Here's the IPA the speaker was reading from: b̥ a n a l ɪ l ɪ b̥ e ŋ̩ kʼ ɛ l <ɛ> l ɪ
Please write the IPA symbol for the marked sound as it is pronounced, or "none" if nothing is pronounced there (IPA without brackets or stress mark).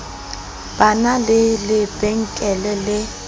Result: ɛ